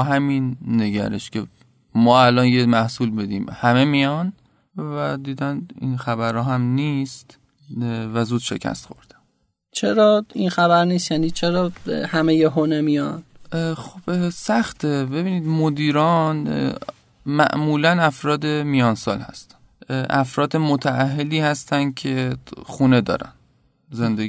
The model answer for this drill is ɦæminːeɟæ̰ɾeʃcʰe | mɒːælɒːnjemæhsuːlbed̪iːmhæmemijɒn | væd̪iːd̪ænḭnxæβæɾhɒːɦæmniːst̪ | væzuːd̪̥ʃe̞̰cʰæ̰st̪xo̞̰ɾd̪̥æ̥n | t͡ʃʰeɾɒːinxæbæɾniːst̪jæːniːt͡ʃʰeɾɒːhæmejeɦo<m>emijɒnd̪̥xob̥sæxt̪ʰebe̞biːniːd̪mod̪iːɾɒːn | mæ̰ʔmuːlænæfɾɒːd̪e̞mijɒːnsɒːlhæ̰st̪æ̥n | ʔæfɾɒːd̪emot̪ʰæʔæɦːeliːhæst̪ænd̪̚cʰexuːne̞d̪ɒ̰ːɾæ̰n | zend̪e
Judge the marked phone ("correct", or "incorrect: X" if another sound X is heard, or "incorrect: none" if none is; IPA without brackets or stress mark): incorrect: n